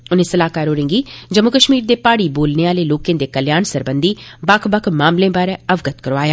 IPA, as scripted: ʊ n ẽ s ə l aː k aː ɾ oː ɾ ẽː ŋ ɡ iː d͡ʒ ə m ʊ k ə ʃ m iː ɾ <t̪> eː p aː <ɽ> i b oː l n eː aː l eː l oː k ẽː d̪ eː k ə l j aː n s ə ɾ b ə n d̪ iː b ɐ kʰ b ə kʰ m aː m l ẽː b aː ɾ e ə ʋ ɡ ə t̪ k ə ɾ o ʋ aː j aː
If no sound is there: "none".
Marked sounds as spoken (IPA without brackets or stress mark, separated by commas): d̪, ɽ